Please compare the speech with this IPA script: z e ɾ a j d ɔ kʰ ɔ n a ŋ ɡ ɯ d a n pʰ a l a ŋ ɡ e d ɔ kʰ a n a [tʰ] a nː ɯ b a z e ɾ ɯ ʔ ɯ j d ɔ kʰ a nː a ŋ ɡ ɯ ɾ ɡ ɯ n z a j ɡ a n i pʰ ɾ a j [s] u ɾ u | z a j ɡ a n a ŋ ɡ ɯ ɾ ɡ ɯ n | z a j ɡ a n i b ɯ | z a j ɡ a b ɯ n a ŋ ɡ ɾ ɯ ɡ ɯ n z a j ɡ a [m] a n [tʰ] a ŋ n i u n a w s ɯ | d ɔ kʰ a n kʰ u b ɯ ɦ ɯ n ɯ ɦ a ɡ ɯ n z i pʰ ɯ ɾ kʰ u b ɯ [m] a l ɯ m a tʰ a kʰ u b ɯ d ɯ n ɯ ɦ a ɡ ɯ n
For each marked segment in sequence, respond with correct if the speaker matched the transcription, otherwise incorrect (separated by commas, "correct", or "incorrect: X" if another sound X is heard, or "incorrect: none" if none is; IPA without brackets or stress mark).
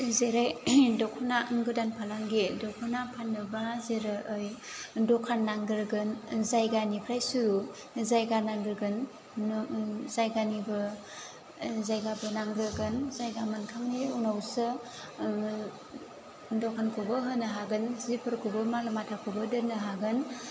incorrect: pʰ, correct, correct, incorrect: kʰ, correct